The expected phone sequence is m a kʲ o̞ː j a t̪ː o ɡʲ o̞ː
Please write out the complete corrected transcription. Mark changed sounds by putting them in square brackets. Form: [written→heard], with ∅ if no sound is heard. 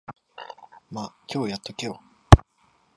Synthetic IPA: m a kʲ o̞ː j a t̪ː o [ɡʲ→kʲ] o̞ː